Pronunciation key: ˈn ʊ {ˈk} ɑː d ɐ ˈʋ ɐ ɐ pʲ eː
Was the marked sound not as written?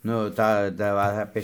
yes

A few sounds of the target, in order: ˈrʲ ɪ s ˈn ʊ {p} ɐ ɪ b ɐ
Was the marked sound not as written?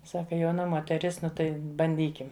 yes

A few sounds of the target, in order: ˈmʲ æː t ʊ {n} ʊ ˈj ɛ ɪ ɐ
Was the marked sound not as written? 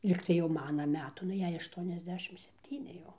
no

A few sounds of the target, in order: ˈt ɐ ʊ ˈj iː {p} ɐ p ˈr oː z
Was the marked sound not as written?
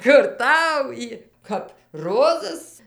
yes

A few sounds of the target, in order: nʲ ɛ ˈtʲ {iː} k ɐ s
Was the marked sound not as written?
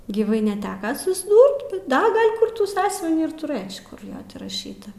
yes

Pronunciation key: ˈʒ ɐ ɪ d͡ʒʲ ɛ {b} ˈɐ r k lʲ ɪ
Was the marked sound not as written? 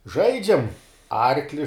yes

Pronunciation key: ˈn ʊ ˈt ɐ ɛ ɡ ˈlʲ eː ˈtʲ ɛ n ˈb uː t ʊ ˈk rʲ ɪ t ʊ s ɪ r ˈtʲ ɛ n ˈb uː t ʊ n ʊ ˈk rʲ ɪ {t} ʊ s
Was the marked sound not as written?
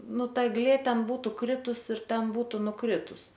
no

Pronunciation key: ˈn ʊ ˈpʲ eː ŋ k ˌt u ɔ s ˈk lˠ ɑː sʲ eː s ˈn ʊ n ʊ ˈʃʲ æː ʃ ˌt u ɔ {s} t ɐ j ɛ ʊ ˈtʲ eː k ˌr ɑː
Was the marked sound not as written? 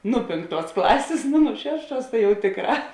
no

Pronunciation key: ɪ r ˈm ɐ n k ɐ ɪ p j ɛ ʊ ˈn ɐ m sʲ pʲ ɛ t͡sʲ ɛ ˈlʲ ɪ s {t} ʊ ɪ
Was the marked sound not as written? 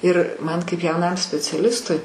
no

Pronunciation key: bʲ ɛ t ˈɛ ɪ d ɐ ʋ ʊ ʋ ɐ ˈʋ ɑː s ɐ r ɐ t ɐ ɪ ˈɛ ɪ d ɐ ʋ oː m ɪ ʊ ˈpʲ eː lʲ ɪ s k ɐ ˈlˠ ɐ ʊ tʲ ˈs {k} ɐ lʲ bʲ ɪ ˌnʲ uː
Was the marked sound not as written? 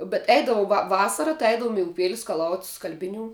no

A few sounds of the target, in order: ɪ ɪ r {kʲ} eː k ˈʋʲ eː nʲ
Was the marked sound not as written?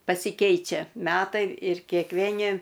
no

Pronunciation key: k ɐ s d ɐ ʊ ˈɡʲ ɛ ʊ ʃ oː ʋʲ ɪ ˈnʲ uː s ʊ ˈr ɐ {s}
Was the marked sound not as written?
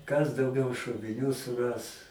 no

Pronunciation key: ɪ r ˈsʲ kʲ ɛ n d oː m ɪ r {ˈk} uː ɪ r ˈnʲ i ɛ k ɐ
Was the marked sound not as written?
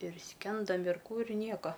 no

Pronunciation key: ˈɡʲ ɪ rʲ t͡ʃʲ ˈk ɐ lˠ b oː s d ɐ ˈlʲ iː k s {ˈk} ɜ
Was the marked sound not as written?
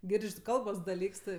yes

